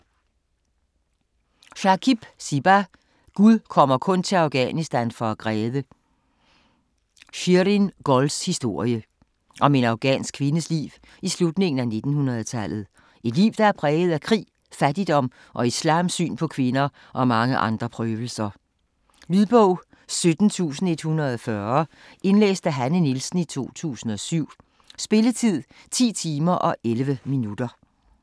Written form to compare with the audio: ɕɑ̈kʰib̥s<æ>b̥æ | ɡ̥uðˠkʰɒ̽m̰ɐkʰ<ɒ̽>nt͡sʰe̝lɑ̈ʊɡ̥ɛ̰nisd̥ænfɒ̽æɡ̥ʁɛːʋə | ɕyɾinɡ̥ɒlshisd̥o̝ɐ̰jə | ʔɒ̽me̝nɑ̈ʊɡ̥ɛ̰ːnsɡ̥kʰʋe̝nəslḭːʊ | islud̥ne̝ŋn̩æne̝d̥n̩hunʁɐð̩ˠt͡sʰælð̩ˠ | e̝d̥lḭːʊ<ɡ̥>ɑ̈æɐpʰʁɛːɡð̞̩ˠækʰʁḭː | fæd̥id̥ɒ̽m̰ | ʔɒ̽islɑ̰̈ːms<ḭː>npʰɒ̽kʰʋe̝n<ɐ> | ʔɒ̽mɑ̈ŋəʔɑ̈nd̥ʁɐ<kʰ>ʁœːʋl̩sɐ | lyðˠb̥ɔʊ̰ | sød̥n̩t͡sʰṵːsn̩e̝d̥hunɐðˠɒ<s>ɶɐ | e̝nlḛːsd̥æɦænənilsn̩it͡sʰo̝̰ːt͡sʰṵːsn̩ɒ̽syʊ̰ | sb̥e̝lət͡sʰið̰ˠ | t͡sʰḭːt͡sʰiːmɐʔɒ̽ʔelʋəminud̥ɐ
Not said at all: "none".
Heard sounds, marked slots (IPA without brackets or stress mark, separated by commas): i, ɔ̽, d̥, y̰ː, ɐ, pʰ, f